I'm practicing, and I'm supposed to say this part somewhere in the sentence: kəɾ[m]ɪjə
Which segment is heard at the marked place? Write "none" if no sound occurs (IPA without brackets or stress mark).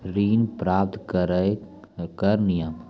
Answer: n